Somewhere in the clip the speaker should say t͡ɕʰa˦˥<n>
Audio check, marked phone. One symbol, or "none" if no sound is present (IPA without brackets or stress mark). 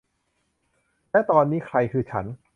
n